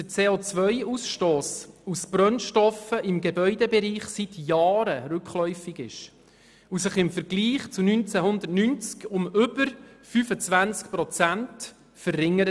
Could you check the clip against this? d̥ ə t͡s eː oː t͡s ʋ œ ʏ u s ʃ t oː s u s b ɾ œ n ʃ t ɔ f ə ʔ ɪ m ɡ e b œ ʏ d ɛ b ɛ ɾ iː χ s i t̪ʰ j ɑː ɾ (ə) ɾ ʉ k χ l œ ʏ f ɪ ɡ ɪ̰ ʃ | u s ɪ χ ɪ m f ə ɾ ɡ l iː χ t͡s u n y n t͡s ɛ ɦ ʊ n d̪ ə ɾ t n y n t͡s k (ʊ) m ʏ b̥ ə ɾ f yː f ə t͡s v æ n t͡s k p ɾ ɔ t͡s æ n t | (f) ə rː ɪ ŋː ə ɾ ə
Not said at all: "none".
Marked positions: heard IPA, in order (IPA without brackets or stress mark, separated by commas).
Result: ə, ʊ, f